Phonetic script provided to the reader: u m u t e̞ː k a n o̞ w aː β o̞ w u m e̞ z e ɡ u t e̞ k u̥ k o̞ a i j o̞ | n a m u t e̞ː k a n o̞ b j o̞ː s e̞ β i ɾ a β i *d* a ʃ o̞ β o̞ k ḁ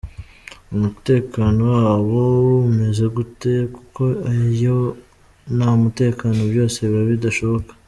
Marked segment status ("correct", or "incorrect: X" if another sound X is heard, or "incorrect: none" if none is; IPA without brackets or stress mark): correct